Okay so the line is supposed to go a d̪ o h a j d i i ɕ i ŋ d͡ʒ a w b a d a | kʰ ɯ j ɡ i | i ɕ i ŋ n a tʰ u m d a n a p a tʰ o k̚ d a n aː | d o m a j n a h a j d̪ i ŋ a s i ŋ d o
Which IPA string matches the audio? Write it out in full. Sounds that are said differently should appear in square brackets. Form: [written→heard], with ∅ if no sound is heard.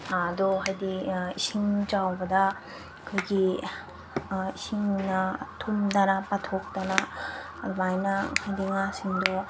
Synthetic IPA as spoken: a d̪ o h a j d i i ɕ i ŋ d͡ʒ a w b a d a | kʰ ɯ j ɡ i | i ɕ i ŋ n a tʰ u m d a n a p a tʰ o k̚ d a n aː | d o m a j n a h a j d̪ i ŋ a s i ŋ d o